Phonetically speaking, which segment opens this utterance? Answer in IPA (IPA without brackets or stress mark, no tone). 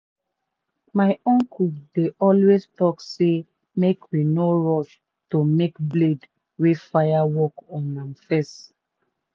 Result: m